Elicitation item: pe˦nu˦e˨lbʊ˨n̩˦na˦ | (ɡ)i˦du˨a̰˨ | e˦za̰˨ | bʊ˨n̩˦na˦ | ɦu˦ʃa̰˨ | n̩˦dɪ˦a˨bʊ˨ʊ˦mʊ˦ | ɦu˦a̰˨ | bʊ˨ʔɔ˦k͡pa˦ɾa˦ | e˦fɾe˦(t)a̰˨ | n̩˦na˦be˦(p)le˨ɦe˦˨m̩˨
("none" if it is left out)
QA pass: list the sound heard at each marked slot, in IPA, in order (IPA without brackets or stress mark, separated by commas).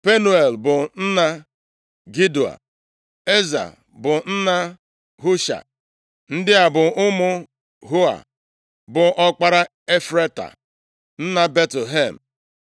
ɡ, t, t